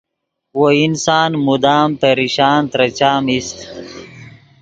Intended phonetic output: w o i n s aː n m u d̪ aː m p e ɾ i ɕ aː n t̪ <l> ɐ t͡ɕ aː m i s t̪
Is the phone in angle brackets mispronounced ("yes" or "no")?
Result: yes